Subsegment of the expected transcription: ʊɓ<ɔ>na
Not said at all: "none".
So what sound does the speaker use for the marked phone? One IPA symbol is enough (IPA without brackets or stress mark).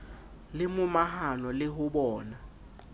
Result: ɔː